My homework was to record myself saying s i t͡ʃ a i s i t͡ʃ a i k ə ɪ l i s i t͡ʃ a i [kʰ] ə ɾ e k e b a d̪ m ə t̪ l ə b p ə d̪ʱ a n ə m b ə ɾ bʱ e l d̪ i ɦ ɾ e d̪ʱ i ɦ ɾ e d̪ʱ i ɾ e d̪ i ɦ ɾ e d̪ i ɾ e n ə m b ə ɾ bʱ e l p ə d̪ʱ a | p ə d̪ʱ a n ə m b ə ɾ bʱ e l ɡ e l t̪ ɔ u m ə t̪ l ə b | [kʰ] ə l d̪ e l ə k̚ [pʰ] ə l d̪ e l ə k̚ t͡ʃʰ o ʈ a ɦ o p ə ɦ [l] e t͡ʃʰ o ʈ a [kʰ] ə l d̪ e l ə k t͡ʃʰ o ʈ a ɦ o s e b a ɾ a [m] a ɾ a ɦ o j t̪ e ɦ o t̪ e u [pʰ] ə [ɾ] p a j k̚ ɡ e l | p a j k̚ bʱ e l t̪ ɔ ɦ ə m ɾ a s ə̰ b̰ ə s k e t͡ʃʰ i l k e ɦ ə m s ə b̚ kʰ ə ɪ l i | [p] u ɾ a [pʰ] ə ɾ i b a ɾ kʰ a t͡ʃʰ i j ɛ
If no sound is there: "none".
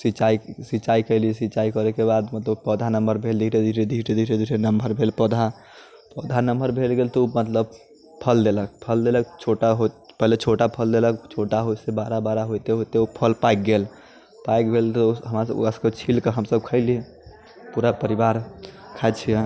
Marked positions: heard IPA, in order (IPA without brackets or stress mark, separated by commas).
k, pʰ, pʰ, l, pʰ, b, pʰ, l, p, p